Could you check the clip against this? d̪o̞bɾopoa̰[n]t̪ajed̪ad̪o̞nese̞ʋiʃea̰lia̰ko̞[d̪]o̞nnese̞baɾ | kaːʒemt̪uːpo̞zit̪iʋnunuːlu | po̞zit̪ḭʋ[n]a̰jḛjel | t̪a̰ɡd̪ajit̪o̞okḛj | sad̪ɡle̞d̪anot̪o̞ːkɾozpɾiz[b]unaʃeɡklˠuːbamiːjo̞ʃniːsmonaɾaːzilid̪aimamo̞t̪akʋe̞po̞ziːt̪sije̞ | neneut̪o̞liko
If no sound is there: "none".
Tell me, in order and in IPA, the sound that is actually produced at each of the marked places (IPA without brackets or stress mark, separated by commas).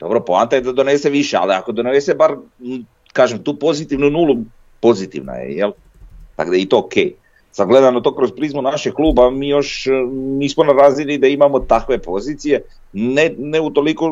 n, d̪, n, m